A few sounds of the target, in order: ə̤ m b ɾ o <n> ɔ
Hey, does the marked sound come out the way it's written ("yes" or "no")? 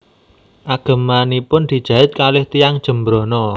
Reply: yes